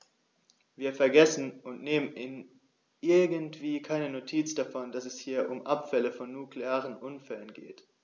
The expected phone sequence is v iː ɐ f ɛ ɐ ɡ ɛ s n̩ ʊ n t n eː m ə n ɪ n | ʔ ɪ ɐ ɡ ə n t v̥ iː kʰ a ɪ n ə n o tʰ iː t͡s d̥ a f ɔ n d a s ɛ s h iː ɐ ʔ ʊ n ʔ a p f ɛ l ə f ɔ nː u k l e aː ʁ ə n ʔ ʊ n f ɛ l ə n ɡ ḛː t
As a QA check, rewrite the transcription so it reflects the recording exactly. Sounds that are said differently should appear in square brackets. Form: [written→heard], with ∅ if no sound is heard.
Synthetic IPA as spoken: v iː ɐ f ɛ ɐ ɡ ɛ s n̩ ʊ n t n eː m ə n ɪ n | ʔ ɪ ɐ ɡ ə n t v̥ iː kʰ a ɪ n ə n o tʰ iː t͡s d̥ a f ɔ n d a s ɛ s h iː ɐ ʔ ʊ [n→m] ʔ a p f ɛ l ə f ɔ nː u k l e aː ʁ ə n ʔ ʊ n f ɛ l ə n ɡ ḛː t